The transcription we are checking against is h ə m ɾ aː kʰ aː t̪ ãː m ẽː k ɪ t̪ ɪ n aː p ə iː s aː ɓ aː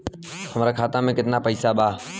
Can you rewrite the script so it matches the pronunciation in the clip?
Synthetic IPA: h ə m ɾ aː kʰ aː t̪ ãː m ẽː k ɪ t̪ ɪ n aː p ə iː s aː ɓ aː